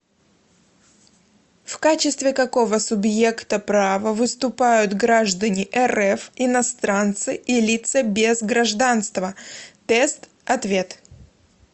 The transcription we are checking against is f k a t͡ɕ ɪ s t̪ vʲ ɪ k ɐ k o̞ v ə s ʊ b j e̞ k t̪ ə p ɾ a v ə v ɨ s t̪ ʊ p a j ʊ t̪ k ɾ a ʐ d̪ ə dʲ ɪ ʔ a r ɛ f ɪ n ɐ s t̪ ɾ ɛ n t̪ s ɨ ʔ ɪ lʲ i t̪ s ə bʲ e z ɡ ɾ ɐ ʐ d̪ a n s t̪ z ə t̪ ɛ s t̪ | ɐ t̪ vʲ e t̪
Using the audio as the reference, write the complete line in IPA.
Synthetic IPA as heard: f k a t͡ɕ ɪ s t̪ vʲ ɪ k ɐ k o̞ v ə s ʊ b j e̞ k t̪ ə p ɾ a v ə v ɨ s t̪ ʊ p a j ʊ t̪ ɡ ɾ a ʐ d̪ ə nʲ ɪ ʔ ɛ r ɛ f ɪ n ɐ s t̪ ɾ a n t̪ s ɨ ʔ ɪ lʲ i t̪ s ə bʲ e z ɡ ɾ ɐ ʐ d̪ a n s t̪ v ə t̪ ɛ s t̪ | ɐ t̪ vʲ e t̪

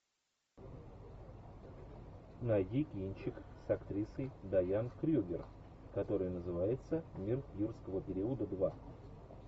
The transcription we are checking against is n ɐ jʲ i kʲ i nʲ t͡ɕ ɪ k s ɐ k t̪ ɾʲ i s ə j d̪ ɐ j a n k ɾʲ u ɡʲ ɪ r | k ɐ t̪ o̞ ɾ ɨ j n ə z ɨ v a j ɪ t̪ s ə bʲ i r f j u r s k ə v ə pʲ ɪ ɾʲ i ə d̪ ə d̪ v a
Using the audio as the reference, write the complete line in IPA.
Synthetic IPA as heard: n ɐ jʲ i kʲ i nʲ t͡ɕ ɪ k s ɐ k t̪ ɾʲ i s ə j d̪ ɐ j a n k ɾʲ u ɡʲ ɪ r | k ɐ t̪ o̞ ɾ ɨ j n ə z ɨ v a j ɪ t̪ s ə mʲ i r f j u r s k ə v ə pʲ ɪ ɾʲ i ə d̪ ə d̪ v a

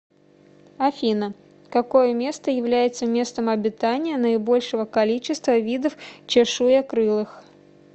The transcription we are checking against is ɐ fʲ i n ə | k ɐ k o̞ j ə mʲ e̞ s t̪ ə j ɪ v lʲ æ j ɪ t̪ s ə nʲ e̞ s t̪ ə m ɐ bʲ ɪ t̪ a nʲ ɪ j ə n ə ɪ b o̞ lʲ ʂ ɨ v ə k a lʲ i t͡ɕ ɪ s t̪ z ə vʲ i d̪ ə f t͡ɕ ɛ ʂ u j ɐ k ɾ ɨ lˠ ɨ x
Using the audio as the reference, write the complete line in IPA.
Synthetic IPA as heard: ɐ fʲ i n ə | k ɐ k o̞ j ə mʲ e̞ s t̪ ə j ɪ v lʲ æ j ɪ t̪ s ə mʲ e̞ s t̪ ə m ɐ bʲ ɪ t̪ a nʲ ɪ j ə n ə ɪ b o̞ lʲ ʂ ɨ v ə k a lʲ i t͡ɕ ɪ s t̪ v ə vʲ i d̪ ə f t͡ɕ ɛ ʂ u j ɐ k ɾ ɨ lˠ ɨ x

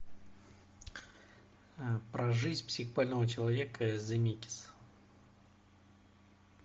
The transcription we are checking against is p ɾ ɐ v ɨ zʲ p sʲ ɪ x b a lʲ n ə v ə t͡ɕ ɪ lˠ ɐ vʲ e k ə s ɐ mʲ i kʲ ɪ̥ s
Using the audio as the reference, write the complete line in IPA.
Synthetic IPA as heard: p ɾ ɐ ʐ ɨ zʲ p sʲ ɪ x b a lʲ n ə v ə t͡ɕ ɪ lˠ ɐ vʲ e k ə z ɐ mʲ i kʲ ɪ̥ s

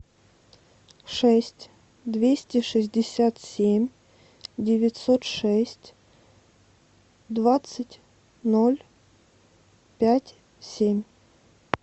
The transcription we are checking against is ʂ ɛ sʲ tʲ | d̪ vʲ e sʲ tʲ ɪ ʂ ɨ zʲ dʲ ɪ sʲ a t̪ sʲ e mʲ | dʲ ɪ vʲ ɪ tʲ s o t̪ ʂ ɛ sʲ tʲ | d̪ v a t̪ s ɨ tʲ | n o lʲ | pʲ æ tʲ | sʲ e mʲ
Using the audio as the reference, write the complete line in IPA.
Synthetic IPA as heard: ʂ ɛ sʲ tʲ | d̪ vʲ e sʲ tʲ ɪ ʂ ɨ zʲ dʲ ɪ sʲ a t̪ sʲ e mʲ | dʲ ɪ vʲ ɪ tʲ s o t̪ ʂ ɛ sʲ tʲ | d̪ v a t̪ s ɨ tʲ | n o lʲ | pʲ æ tʲ | sʲ e mʲ

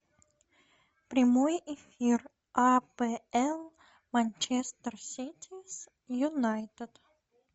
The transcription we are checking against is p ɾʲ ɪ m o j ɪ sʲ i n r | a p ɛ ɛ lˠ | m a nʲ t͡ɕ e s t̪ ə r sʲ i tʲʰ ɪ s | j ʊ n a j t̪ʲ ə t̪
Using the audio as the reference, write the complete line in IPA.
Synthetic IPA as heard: p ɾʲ ɪ m o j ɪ fʲ i r | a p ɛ ɛ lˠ | m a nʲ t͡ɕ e s t̪ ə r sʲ i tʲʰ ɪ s | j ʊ n a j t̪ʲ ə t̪

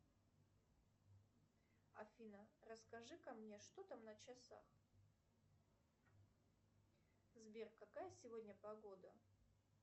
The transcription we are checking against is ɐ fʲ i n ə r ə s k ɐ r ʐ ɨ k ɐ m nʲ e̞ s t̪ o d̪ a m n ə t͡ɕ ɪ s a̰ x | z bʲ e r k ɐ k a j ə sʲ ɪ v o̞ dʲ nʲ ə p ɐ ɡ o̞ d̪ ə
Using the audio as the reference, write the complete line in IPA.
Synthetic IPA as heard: ɐ fʲ i n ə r ə s k ɐ ʐ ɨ k ɐ m nʲ e̞ ʂ t̪ o t̪ a m n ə t͡ɕ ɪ s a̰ x | z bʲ e r k ɐ k a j ə sʲ ɪ v o̞ dʲ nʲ ə p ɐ ɡ o̞ d̪ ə

